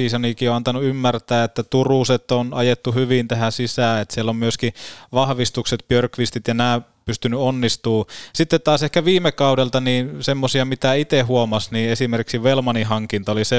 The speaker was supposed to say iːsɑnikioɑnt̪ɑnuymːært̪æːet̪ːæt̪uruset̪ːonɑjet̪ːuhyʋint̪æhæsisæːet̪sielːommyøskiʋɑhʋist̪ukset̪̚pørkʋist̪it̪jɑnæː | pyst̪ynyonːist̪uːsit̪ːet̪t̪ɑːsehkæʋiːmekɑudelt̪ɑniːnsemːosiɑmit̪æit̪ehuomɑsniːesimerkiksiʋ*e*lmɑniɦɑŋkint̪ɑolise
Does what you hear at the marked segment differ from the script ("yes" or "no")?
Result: no